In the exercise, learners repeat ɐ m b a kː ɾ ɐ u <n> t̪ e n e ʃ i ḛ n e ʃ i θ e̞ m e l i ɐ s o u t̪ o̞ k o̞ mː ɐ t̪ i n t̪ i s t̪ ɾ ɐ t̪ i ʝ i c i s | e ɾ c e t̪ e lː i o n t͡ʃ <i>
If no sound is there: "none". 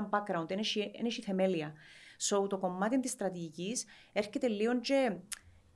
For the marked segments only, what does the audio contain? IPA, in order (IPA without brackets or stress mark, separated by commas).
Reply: n, e